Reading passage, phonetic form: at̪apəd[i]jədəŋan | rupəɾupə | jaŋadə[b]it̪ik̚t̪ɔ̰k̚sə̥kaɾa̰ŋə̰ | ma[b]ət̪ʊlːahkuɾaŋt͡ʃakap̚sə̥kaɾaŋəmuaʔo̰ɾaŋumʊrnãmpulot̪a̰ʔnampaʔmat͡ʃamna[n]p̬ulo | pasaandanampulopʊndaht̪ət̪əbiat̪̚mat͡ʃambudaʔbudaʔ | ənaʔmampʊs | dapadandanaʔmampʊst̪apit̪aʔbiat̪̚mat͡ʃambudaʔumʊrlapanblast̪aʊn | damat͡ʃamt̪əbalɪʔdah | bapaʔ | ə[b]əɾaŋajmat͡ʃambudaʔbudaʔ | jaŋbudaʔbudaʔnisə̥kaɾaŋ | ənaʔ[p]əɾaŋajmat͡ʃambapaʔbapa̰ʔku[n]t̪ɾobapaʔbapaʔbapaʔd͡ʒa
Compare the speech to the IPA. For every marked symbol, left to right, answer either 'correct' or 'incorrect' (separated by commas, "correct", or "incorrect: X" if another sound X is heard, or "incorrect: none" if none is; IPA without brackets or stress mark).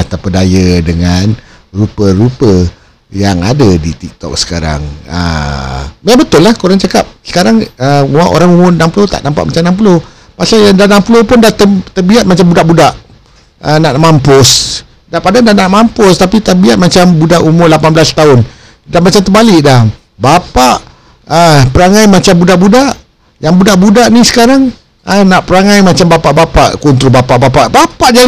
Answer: incorrect: a, incorrect: d, correct, incorrect: m, incorrect: p, correct, correct